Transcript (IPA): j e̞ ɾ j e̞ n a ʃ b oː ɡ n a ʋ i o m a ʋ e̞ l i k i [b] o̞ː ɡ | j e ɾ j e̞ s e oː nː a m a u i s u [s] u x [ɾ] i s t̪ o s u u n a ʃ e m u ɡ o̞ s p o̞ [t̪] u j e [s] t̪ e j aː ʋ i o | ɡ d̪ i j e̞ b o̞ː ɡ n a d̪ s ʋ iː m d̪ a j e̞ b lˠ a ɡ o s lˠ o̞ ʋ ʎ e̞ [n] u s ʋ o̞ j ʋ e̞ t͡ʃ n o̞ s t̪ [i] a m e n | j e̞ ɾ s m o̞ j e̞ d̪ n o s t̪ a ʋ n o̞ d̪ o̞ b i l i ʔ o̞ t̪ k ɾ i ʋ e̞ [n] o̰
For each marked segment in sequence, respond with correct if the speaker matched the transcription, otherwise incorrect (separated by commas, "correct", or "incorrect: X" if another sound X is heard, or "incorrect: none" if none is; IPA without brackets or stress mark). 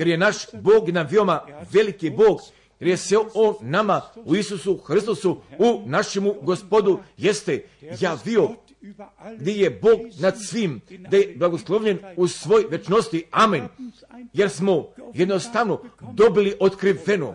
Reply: correct, correct, correct, incorrect: d̪, correct, correct, correct, correct